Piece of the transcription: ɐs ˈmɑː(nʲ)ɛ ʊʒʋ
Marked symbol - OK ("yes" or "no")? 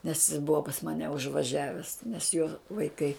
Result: yes